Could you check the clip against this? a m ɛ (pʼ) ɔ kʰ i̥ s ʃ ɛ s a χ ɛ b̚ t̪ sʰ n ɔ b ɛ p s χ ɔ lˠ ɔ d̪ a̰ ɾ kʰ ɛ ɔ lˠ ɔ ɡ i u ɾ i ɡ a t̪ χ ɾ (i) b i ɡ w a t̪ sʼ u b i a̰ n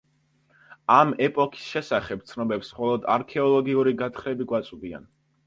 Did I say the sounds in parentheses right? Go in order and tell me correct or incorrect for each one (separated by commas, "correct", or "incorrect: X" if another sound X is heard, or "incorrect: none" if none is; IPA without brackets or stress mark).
correct, incorrect: ɛ